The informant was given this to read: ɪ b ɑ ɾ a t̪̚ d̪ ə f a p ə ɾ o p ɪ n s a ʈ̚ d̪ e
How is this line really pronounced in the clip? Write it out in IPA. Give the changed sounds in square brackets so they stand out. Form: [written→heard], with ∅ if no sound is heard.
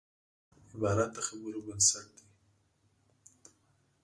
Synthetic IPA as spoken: ɪ b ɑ ɾ a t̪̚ d̪ ə [f→x] a [p→b] ə ɾ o [p→b] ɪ n s a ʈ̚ d̪ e

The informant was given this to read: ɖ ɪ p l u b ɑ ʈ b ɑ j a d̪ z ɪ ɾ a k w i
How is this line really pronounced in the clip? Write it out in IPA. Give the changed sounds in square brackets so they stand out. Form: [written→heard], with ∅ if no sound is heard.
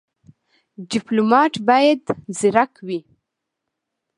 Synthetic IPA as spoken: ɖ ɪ p l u [b→m] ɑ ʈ b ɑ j a d̪ z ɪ ɾ a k w i

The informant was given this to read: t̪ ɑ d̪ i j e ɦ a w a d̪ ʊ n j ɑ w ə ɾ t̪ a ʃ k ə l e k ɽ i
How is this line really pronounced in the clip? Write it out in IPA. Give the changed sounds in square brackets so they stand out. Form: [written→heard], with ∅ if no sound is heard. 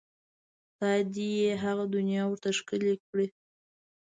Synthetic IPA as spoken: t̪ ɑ d̪ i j e ɦ a [w→ɣ] a d̪ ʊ n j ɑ w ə ɾ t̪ a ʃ k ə l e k ɽ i

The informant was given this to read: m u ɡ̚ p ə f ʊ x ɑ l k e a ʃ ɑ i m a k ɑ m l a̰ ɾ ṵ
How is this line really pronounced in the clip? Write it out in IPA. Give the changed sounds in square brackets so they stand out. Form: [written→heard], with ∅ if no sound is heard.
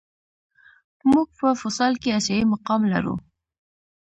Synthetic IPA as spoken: m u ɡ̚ p ə f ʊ [x→s] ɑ l k e a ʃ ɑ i m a [k→q] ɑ m l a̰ ɾ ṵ

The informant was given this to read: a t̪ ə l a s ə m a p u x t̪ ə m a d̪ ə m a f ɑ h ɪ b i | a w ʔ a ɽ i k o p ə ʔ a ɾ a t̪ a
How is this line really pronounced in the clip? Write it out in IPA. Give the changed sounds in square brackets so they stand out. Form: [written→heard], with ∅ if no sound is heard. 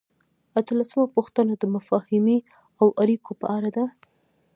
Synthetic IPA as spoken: a t̪ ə l a s ə m a p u x t̪ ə [m→n] a d̪ ə m a f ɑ h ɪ [b→m] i | a w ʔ a [ɽ→ɾ] i k o p ə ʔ a ɾ a [t̪→d̪] a

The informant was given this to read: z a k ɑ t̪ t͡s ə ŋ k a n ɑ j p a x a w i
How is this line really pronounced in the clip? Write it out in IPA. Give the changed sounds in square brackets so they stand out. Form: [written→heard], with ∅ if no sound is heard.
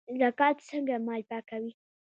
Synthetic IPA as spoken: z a k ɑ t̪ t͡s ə ŋ [k→ɡ] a [n→m] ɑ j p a [x→k] a w i

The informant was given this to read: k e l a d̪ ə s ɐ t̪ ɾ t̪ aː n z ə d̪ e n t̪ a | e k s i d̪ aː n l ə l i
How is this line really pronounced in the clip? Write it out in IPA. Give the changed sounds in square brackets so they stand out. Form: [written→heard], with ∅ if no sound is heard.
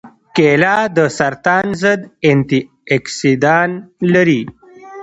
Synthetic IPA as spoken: k e l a d̪ ə s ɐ [t̪→∅] ɾ t̪ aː n z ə d̪ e n t̪ [a→i] | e k s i d̪ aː n l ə [l→ɾ] i

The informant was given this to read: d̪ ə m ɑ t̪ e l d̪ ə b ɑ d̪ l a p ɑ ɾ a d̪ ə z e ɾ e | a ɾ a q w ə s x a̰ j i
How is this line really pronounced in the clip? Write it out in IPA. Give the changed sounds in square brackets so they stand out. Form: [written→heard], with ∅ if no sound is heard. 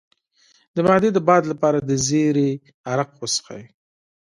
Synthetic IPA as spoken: d̪ ə m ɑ [t̪→d̪] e [l→∅] d̪ ə b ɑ d̪ l a p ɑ ɾ a d̪ ə z e ɾ e | a ɾ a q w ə s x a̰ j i

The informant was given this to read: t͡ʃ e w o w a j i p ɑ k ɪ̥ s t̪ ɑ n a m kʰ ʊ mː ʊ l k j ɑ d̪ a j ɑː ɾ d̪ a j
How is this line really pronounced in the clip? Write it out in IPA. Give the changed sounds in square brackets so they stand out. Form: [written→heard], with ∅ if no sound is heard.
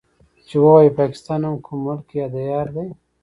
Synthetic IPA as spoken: t͡ʃ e w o w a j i p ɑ k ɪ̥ s t̪ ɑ n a m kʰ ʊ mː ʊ l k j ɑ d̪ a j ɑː ɾ d̪ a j

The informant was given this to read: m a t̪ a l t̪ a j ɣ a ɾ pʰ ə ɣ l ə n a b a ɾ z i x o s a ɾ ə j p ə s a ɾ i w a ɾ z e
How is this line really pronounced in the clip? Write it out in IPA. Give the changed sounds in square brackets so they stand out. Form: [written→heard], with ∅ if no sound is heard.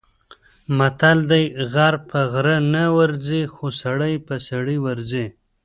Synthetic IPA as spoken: m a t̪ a l [t̪→d̪] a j ɣ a ɾ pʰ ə ɣ [l→ɾ] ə n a [b→w] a ɾ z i x o s a [ɾ→ɽ] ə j p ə s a [ɾ→ɽ] i w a ɾ z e

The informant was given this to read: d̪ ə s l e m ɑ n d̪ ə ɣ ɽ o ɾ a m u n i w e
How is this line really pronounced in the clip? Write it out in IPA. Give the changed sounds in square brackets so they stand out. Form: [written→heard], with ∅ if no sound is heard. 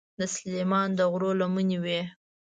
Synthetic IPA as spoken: d̪ ə s l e m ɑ n d̪ ə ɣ [ɽ→ɾ] o [ɾ→l] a m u n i w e

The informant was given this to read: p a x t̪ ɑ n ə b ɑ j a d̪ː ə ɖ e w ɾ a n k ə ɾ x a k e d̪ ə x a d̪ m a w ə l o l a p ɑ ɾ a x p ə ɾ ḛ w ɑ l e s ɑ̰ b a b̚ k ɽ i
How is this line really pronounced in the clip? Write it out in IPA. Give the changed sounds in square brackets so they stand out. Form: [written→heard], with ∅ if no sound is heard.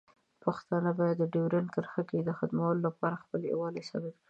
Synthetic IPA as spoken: p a x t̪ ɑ n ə b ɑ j a d̪ː ə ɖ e w ɾ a n k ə ɾ x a k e d̪ ə x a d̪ m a w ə l o l a p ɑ ɾ a x p ə [ɾ→l] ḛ w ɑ l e s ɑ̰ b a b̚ k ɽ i

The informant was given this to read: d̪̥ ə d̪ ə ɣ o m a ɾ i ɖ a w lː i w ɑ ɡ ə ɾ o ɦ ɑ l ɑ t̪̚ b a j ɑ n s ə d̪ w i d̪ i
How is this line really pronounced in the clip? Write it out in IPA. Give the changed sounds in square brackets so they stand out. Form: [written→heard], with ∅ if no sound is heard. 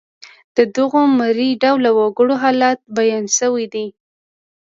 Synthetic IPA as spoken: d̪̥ ə d̪ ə ɣ o m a ɾ i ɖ a w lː [i→a] w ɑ ɡ ə [ɾ→ɽ] o ɦ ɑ l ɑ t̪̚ b a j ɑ n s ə [d̪→∅] w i d̪ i

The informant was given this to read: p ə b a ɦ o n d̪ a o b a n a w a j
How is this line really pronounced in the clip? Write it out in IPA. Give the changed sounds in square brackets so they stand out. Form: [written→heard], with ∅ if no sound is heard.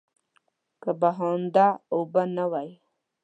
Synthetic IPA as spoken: [p→k] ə b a ɦ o n d̪ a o b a n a w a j

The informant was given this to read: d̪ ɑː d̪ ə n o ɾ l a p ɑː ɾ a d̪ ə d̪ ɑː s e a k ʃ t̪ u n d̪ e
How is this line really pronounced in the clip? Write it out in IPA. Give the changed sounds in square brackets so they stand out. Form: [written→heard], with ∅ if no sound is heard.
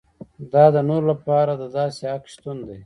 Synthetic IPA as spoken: d̪ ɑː d̪ ə n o ɾ l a p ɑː ɾ a d̪ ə d̪ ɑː s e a k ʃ t̪ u n d̪ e

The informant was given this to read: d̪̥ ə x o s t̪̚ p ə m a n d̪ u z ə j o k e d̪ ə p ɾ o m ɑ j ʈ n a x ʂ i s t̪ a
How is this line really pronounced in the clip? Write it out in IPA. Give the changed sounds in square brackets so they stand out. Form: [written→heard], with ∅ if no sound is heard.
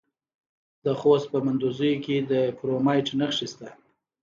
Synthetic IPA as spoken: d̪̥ ə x o s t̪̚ p ə m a n d̪ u z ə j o k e d̪ ə p ɾ o m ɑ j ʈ n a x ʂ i s t̪ a

